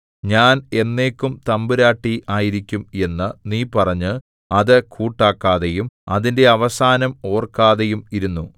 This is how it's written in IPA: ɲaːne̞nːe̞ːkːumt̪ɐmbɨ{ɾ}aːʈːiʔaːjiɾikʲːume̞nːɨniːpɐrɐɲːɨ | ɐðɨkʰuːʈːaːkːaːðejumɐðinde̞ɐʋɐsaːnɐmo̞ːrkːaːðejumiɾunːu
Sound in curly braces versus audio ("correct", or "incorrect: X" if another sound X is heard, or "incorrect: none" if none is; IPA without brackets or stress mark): correct